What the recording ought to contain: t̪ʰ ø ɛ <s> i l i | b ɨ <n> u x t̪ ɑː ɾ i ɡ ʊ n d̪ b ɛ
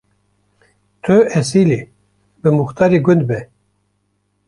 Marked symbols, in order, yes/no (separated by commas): yes, no